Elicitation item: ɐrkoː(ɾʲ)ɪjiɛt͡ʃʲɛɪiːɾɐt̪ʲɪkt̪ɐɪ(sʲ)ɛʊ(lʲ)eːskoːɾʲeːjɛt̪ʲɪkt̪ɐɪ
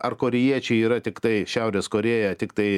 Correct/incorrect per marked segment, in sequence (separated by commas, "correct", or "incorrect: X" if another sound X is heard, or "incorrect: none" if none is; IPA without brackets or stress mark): correct, incorrect: ʃʲ, incorrect: ɾʲ